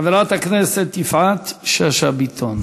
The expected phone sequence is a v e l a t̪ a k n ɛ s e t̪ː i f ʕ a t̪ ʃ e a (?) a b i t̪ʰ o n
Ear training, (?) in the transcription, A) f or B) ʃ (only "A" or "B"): B